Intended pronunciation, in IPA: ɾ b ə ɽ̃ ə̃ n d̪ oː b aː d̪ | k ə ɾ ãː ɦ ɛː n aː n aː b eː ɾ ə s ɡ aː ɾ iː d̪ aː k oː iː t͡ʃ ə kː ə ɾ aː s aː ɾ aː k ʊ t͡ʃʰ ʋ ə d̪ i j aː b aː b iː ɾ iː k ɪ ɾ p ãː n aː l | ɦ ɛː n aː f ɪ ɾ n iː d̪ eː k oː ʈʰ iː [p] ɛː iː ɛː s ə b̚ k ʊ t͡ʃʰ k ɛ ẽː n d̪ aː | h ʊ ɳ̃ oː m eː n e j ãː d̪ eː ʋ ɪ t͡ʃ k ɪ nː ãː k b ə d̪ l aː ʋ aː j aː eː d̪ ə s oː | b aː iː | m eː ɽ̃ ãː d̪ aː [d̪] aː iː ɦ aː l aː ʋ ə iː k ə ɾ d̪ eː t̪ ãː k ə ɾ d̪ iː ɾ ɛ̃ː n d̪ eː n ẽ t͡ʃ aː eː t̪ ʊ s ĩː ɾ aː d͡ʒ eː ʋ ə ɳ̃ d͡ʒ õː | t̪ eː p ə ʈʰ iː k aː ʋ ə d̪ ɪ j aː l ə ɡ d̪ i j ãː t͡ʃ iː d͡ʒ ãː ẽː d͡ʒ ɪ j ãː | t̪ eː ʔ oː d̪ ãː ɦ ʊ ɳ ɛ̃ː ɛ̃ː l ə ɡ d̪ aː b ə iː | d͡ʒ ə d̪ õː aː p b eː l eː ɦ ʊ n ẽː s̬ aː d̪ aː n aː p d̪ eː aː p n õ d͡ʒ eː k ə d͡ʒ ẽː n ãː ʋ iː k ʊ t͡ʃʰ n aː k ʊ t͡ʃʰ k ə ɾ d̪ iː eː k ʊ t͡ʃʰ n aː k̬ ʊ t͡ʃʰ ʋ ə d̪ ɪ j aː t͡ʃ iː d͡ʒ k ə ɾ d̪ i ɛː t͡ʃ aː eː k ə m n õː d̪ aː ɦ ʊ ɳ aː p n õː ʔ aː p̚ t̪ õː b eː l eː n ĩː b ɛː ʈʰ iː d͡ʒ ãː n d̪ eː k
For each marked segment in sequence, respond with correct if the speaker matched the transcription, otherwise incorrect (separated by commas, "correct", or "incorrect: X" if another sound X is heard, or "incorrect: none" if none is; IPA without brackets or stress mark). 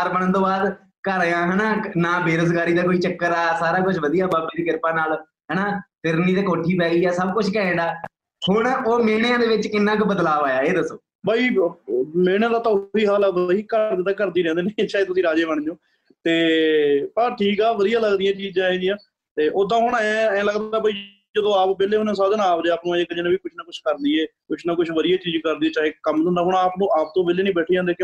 correct, incorrect: t̪